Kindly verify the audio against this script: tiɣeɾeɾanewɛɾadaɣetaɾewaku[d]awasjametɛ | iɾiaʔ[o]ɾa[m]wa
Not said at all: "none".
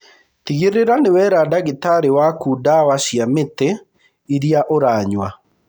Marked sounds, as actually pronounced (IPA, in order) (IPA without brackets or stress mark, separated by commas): d, o, ɲ